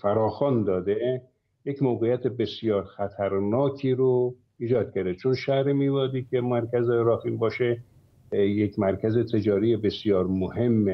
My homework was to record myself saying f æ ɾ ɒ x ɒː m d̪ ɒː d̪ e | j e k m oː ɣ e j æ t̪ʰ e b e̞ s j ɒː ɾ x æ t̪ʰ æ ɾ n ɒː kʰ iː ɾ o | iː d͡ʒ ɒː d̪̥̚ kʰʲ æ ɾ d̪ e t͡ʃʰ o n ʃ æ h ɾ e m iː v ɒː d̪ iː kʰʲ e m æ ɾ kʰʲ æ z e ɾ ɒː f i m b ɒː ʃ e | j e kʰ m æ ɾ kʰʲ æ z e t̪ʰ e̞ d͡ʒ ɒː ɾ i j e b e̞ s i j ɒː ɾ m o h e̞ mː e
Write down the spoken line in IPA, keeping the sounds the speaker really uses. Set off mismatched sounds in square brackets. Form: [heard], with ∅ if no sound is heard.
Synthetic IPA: f æ ɾ [ɒː] x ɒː [n] d̪ ɒː d̪ e | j e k m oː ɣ e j æ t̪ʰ e b e̞ s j ɒː ɾ x æ t̪ʰ æ ɾ n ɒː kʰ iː ɾ o | iː d͡ʒ ɒː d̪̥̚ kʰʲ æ ɾ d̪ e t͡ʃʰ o n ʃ æ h ɾ e m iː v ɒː d̪ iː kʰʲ e m æ ɾ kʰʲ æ z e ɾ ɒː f i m b ɒː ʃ e | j e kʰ m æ ɾ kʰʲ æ z e t̪ʰ e̞ d͡ʒ ɒː ɾ i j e b e̞ s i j ɒː ɾ m o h e̞ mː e

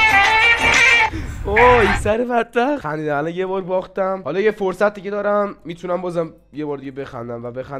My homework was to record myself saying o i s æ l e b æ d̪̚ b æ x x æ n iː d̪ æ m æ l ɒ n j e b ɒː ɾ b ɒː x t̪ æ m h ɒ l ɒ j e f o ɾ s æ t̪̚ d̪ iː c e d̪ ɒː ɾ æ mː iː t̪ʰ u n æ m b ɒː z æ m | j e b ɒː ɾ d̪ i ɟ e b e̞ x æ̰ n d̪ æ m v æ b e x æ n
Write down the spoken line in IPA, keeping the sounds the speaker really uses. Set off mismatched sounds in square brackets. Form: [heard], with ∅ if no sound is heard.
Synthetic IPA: o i s æ [ɾ] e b æ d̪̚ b æ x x æ n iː d̪ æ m æ l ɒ n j e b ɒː ɾ b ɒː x t̪ æ m h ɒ l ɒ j e f o ɾ s æ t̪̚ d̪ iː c e d̪ ɒː ɾ æ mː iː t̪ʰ u n æ m b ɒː z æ m | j e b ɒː ɾ d̪ i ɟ e b e̞ x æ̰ n d̪ æ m v æ b e x æ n

